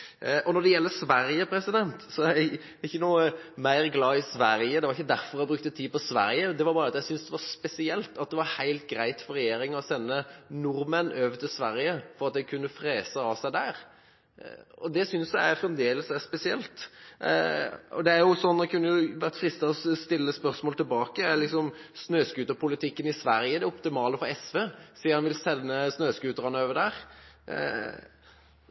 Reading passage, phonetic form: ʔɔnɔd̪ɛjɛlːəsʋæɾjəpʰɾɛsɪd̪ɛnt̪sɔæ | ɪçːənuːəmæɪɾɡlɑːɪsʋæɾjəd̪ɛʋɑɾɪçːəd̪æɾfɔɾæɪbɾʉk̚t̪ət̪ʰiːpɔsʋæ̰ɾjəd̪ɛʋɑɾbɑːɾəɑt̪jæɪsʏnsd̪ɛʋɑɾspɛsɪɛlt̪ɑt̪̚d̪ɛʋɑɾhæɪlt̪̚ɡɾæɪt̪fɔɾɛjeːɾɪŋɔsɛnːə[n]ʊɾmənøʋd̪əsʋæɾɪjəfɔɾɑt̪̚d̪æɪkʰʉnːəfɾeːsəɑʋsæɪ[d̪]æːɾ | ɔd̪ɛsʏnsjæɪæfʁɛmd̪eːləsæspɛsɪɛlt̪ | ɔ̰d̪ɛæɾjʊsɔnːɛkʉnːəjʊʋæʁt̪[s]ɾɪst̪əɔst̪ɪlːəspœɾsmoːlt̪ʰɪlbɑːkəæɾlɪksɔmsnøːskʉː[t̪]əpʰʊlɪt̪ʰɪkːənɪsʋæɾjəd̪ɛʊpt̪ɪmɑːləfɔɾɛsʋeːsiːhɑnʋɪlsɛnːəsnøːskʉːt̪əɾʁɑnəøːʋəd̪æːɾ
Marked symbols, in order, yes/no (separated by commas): yes, yes, no, yes